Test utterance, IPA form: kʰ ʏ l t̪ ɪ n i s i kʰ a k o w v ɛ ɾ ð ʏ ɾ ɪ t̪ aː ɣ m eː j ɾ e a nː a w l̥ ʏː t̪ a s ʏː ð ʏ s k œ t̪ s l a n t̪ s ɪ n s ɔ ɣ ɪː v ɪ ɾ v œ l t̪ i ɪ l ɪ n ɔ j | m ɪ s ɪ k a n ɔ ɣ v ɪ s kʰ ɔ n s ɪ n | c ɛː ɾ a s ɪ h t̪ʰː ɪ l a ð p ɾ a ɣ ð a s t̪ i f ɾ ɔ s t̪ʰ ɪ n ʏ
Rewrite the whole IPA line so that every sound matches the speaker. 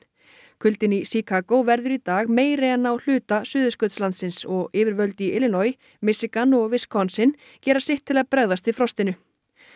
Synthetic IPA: kʰ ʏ l t̪ ɪ n i s i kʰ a k o w v ɛ ɾ ð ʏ ɾ i t̪ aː ɣ m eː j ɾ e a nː a w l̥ ʏː t̪ a s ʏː ð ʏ s k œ t̪ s l a n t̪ s ɪ n s ɔ ɣ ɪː v ɪ ɾ v œ l t̪ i ɪ l ɪ n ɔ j | m ɪ s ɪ k a n ɔ ɣ v ɪ s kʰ ɔ n s ɪ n | c ɛː ɾ a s ɪ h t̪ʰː ɪ l a ð p ɾ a ɣ ð a s t̪ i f ɾ ɔ s t̪ ɪ n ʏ